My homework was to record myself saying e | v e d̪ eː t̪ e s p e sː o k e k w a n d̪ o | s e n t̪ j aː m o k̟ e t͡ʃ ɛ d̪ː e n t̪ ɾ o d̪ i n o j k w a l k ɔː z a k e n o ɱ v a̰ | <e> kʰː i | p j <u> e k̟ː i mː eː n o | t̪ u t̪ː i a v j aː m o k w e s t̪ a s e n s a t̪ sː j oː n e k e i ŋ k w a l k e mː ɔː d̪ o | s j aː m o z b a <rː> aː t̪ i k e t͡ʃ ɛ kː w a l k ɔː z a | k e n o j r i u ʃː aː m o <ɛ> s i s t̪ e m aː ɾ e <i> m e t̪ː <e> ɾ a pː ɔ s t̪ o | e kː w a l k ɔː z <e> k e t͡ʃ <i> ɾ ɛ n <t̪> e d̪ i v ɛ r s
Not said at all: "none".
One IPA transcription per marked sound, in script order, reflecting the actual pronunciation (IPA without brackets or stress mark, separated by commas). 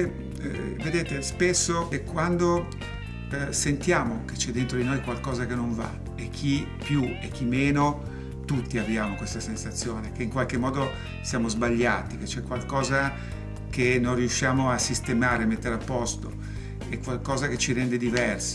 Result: e, u, ʎː, a, a, e, a, i, d̪